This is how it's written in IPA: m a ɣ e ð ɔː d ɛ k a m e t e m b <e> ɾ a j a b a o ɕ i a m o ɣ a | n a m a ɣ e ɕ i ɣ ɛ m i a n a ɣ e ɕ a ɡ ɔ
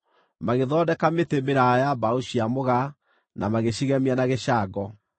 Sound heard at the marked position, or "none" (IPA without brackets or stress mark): e